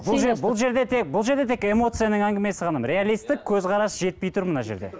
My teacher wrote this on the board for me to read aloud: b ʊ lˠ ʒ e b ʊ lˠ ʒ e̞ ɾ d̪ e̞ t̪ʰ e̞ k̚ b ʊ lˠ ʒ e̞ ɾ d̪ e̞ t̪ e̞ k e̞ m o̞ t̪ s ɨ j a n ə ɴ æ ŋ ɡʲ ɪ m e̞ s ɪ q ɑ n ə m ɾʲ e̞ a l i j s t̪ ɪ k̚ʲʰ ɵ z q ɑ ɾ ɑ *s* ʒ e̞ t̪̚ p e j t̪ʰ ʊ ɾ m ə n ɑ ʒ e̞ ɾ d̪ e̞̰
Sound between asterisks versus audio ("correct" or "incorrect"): correct